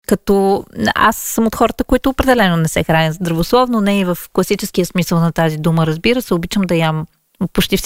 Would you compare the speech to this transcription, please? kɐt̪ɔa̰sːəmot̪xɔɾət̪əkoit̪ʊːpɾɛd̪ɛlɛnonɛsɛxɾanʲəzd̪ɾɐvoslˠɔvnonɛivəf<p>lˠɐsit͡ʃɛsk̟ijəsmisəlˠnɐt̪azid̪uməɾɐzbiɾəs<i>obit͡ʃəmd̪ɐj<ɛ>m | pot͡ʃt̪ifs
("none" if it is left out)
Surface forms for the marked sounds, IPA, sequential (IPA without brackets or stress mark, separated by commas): k, ɛ, a